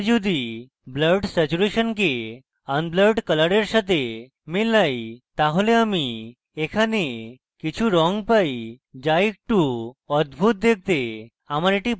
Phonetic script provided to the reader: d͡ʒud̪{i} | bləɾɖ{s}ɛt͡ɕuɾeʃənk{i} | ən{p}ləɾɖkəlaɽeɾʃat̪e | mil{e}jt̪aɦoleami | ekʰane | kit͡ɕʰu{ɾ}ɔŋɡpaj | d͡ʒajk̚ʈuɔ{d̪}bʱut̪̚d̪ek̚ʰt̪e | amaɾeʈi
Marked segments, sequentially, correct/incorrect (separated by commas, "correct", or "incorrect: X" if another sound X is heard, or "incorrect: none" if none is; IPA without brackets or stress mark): correct, correct, incorrect: e, incorrect: b, incorrect: a, correct, correct